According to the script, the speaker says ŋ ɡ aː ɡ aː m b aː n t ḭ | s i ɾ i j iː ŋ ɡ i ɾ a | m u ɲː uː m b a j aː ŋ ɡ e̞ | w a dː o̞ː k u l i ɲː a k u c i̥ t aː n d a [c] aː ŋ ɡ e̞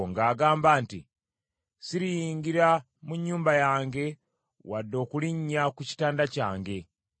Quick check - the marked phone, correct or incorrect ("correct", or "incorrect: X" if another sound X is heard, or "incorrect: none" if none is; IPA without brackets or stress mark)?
correct